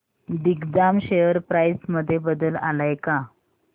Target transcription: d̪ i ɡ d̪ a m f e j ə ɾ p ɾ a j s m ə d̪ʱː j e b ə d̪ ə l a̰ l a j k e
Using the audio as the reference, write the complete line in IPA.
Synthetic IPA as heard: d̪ i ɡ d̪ a m ɕ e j ə ɾ p ɾ a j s m ə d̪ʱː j e b ə d̪ ə l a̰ l a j k a